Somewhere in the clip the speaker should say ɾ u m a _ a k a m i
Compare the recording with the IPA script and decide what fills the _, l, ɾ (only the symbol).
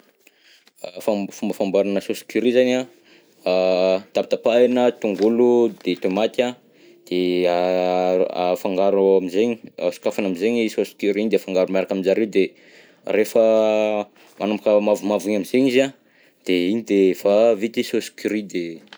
ɾ